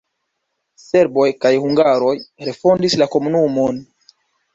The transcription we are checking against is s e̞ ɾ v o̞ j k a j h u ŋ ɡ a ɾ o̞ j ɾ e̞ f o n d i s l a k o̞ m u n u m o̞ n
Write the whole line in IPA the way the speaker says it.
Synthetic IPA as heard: s e̞ ɾ b o̞ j k a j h u ŋ ɡ a ɾ o̞ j ɾ e̞ f o n d i s l a k o̞ m u n u m o̞ n